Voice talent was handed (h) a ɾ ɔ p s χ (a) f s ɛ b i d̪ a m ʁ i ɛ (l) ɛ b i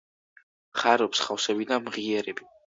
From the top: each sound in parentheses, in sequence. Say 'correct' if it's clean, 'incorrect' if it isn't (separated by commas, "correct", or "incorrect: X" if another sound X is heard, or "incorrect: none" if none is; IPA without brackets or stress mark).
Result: incorrect: χ, correct, incorrect: ɾ